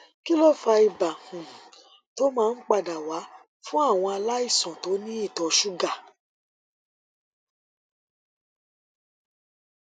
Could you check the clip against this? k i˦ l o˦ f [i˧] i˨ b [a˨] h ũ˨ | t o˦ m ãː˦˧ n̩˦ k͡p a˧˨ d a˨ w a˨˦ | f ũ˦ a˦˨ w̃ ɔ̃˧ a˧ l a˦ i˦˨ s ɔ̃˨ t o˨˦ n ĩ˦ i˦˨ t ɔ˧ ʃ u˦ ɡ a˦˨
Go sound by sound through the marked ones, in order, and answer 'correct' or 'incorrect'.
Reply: incorrect, correct

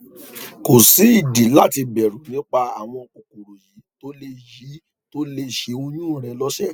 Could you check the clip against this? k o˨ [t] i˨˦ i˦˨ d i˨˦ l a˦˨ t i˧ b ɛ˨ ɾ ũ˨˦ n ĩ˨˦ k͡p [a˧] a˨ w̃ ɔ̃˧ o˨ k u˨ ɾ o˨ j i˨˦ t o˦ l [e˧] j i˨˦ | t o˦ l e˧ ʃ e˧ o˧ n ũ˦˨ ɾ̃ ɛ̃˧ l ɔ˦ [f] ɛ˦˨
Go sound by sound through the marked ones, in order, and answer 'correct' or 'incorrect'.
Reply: incorrect, correct, correct, incorrect

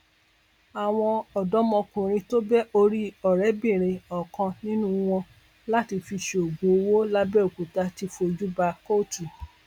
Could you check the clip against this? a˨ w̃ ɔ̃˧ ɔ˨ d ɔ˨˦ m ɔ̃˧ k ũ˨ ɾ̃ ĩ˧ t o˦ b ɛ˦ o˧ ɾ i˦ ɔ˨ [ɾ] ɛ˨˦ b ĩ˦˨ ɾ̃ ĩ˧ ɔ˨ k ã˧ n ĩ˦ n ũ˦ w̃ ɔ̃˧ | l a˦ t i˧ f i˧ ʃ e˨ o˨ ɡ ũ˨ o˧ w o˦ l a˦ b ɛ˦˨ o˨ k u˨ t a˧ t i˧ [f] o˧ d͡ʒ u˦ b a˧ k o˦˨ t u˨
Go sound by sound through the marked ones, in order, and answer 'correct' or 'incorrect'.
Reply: correct, correct

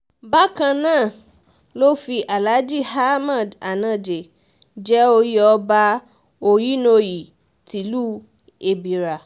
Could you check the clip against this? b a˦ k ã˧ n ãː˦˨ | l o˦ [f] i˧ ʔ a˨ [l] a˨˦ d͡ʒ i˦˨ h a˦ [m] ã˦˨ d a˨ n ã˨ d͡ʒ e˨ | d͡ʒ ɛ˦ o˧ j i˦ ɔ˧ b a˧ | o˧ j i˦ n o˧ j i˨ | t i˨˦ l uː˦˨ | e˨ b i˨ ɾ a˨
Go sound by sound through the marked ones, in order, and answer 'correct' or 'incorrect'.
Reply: correct, correct, correct

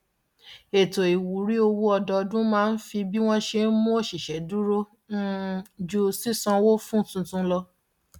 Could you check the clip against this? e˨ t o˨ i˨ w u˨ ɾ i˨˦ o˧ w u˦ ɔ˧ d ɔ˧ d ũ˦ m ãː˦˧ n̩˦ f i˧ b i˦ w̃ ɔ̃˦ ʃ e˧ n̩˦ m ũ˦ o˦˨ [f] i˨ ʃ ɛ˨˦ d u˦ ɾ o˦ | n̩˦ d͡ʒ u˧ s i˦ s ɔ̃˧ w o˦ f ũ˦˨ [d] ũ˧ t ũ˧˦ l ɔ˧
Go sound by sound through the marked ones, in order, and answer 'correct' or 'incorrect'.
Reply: incorrect, incorrect

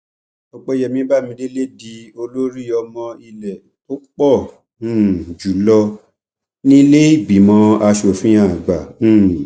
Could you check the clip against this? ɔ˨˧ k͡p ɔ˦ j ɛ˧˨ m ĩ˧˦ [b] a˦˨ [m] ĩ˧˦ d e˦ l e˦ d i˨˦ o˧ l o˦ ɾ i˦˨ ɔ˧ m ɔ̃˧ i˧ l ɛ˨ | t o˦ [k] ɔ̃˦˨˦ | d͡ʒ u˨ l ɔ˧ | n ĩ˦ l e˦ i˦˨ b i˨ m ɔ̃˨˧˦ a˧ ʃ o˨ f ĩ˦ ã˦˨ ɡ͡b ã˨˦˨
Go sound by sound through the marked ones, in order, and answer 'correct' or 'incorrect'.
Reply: correct, correct, incorrect

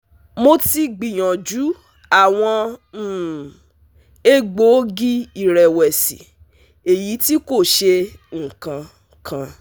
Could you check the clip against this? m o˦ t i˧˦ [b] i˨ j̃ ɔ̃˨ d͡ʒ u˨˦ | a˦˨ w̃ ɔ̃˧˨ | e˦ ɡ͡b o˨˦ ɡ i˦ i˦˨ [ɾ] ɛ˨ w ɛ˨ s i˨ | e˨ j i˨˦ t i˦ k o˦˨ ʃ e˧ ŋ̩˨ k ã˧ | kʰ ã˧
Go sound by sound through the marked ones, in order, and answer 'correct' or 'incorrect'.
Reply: incorrect, correct

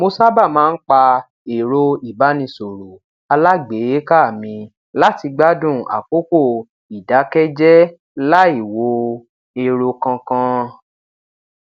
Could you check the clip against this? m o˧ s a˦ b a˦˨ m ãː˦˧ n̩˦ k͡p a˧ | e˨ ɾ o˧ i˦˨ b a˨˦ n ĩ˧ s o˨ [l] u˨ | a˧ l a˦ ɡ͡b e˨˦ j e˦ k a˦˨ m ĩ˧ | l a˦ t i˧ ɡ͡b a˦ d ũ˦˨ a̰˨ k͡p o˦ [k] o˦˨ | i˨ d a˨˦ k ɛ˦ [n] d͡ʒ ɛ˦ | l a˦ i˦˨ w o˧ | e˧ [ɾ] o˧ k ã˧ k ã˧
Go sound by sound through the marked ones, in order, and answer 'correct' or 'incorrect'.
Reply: incorrect, correct, incorrect, correct

